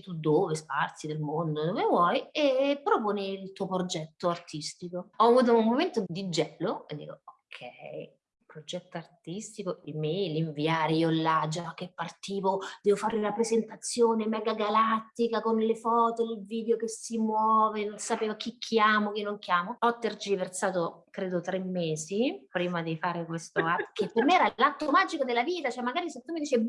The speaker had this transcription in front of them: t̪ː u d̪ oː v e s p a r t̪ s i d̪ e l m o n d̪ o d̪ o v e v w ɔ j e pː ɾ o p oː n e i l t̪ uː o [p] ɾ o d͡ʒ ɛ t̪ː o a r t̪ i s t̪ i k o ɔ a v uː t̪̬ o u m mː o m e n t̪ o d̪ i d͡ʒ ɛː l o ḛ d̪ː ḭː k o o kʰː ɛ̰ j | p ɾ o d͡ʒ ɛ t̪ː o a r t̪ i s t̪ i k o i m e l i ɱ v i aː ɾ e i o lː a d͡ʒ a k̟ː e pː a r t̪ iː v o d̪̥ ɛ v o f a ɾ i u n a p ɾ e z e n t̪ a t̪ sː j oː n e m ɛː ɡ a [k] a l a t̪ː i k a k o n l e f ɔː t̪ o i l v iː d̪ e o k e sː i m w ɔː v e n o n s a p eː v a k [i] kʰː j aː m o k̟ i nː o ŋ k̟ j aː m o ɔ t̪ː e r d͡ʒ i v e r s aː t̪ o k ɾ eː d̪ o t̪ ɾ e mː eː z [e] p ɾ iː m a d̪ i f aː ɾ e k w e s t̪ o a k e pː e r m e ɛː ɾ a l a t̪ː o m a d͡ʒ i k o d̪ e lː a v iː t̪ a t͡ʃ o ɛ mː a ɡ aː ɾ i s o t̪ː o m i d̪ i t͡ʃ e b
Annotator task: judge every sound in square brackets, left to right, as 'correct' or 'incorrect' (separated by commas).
correct, incorrect, correct, incorrect